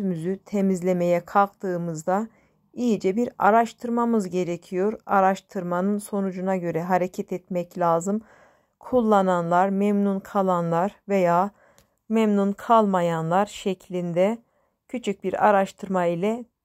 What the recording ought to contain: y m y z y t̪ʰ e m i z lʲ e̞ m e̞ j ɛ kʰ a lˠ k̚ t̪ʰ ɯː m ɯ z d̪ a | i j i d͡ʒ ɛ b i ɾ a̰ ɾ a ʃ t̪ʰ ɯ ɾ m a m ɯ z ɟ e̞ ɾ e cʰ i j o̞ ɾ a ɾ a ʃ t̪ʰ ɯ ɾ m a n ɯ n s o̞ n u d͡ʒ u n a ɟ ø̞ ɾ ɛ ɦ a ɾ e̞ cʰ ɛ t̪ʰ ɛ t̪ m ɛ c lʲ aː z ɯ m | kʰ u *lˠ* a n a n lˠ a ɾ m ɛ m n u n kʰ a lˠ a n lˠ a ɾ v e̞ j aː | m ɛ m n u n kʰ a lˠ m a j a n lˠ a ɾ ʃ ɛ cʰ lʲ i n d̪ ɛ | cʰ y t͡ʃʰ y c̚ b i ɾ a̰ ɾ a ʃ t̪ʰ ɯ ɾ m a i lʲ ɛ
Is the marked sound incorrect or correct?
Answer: incorrect